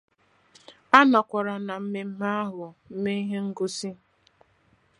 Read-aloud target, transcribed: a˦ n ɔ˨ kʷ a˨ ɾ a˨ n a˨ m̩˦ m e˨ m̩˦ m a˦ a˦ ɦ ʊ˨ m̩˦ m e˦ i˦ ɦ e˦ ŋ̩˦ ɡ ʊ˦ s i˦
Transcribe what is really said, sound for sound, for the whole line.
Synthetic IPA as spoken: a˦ n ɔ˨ kʷ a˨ ɾ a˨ n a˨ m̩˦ m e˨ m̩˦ m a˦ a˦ ɦ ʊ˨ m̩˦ m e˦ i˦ ɦ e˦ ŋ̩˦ ɡ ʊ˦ s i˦

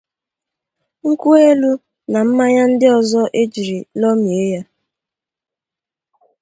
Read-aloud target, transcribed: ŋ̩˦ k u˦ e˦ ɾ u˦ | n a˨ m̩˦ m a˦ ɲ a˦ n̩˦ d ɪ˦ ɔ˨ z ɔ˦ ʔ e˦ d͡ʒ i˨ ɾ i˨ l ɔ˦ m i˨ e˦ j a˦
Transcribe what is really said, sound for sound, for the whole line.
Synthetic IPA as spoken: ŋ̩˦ k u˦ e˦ l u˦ | n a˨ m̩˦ m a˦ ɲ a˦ n̩˦ d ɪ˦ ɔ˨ z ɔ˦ ʔ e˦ d͡ʒ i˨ ɾ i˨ l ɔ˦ m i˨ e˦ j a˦

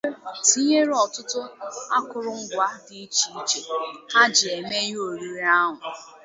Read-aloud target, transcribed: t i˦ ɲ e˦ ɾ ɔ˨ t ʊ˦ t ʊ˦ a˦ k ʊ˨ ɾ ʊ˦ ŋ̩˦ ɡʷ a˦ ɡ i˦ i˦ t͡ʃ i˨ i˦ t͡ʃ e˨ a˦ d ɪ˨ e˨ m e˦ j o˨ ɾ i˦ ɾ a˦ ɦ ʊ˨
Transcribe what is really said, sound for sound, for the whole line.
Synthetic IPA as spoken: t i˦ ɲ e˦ ɾ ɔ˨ t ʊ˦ t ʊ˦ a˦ k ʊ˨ ɾ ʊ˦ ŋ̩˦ ɡʷ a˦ d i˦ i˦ t͡ʃ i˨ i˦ t͡ʃ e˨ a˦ d͡ʒ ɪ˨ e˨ m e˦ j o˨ ɾ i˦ ɾ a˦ ɦ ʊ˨

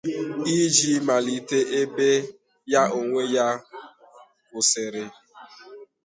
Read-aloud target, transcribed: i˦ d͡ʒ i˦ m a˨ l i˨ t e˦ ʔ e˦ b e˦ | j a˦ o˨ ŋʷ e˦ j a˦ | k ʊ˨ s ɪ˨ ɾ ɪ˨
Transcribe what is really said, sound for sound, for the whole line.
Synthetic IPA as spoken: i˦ d͡ʒ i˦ m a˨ l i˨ t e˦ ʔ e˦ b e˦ | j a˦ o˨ ŋʷ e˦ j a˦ | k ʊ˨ s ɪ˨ ɾ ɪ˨

